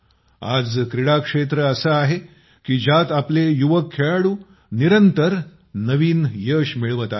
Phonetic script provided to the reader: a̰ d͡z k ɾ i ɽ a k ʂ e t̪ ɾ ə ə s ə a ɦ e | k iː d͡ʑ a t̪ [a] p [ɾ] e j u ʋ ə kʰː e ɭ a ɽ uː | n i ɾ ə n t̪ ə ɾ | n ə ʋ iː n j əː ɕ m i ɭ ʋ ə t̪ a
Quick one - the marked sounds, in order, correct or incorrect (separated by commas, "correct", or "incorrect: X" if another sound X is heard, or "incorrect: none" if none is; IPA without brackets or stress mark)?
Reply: correct, incorrect: l